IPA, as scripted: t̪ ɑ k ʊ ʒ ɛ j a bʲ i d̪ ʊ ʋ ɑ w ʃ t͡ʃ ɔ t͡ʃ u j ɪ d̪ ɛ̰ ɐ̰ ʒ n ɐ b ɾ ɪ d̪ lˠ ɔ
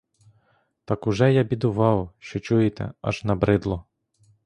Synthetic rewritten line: t̪ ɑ k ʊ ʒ ɛ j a bʲ i d̪ ʊ ʋ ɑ w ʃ t͡ʃ ɔ t͡ʃ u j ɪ t̪ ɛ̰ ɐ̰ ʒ n ɐ b ɾ ɪ d̪ lˠ ɔ